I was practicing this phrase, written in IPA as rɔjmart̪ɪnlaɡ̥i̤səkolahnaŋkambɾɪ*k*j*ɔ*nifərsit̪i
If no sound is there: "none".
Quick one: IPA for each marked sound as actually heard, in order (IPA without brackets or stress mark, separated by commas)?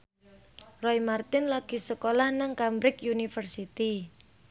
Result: k, u